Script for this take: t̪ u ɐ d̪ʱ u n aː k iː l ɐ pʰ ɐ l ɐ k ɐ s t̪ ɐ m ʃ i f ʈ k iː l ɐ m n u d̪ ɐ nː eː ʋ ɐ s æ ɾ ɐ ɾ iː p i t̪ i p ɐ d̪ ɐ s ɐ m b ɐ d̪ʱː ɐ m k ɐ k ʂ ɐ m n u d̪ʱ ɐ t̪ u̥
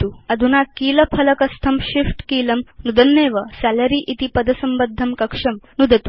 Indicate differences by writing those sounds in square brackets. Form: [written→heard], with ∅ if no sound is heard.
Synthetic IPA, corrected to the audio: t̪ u ɐ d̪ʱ u n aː k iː l ɐ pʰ ɐ l ɐ k ɐ s [t̪→t̪ʰ] ɐ m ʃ i f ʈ k iː l ɐ m n u d̪ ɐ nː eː ʋ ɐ s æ [ɾ→l] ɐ ɾ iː [p→ʔ] i t̪ i p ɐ d̪ ɐ s ɐ m b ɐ d̪ʱː ɐ m k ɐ k ʂ ɐ m n u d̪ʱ ɐ t̪ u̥